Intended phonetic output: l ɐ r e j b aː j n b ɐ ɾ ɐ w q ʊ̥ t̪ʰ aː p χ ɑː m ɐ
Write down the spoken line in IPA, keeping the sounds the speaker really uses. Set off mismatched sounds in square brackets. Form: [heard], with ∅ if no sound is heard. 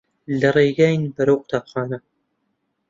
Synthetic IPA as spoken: l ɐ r e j [ɡ] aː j n b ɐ ɾ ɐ w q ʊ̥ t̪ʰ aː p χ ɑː [n] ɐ